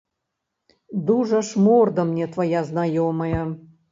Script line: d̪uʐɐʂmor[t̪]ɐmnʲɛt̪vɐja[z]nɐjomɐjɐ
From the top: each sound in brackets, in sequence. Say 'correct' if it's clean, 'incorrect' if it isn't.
incorrect: d̪, correct

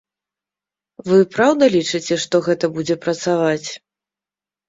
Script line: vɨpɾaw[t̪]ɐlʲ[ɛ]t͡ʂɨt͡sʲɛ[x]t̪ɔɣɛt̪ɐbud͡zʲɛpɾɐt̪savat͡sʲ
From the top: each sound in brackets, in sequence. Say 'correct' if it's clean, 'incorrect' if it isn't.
incorrect: d̪, incorrect: i, incorrect: ʂ

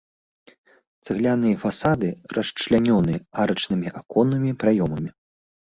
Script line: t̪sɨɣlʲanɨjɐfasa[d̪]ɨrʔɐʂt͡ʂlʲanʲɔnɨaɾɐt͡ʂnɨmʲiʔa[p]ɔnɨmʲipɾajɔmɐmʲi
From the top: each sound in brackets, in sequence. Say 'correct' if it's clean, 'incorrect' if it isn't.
correct, incorrect: k

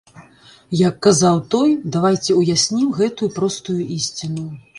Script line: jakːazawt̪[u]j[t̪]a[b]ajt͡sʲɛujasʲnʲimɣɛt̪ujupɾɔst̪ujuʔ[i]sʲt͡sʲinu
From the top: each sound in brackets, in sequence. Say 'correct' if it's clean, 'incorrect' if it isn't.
incorrect: ɔ, incorrect: d̪, incorrect: v, correct

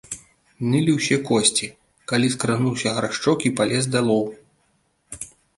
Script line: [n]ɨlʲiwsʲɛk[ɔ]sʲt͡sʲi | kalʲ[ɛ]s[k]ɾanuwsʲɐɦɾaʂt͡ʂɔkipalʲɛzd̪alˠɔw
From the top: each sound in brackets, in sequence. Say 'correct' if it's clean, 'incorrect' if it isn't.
correct, correct, incorrect: i, correct

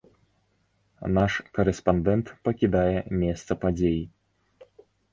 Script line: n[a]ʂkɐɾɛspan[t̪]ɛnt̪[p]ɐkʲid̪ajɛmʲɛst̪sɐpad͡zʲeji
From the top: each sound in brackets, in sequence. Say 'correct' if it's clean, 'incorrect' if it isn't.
correct, incorrect: d̪, correct

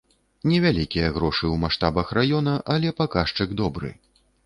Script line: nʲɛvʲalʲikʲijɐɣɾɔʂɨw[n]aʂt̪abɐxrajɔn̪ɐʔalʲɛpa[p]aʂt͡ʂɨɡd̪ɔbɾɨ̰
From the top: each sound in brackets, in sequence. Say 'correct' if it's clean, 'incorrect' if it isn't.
incorrect: m, incorrect: k

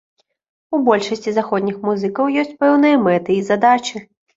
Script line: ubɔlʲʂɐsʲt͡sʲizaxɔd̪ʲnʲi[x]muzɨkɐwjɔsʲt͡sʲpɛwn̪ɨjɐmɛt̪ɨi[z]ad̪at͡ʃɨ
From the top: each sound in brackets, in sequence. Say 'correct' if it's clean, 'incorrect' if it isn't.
correct, correct

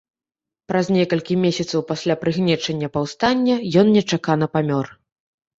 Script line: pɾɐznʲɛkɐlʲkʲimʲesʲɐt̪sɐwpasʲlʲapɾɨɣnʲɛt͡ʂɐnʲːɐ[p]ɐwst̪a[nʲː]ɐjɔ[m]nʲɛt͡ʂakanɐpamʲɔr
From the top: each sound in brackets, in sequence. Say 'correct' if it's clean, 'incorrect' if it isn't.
correct, correct, incorrect: n

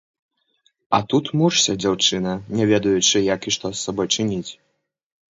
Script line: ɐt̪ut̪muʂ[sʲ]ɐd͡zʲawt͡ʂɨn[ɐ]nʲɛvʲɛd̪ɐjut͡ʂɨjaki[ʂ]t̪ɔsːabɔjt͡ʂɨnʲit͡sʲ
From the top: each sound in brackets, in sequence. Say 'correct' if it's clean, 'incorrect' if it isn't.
correct, correct, correct

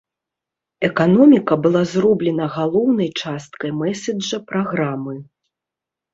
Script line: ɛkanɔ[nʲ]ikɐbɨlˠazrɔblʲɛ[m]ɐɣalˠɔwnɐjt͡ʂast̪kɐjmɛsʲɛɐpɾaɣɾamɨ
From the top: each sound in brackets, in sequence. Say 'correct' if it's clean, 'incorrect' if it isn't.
incorrect: mʲ, incorrect: n

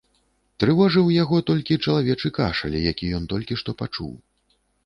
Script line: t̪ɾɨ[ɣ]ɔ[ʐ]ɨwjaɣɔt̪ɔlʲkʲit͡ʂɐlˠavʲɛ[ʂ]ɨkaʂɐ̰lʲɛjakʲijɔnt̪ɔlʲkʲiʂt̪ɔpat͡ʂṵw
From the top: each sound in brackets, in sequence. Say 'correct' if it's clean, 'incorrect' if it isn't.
incorrect: v, correct, incorrect: t͡ʂ

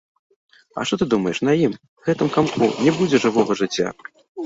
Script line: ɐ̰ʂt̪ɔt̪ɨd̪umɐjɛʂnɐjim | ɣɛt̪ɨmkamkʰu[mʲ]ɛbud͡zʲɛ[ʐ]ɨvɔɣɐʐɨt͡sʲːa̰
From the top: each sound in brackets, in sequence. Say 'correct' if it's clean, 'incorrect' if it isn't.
incorrect: nʲ, correct

